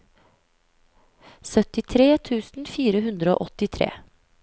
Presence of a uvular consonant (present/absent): absent